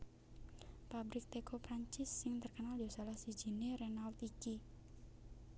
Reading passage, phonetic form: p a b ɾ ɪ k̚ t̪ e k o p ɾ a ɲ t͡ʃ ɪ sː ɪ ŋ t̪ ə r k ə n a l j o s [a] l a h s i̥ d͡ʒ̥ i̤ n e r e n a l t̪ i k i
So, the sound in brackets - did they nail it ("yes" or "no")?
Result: yes